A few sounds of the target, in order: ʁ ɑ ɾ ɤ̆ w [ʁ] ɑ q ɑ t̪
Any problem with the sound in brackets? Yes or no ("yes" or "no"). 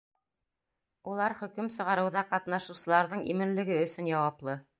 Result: yes